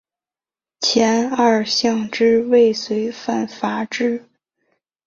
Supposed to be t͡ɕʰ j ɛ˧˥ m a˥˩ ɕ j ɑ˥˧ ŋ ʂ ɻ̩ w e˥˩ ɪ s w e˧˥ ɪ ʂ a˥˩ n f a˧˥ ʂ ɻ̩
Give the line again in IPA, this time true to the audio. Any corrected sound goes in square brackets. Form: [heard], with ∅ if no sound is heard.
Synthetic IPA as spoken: t͡ɕʰ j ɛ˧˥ [n] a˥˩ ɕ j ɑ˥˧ ŋ [ʈ͡ʂ] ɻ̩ w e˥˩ ɪ s w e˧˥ ɪ [f] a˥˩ n f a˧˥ [ʈ͡ʂ] ɻ̩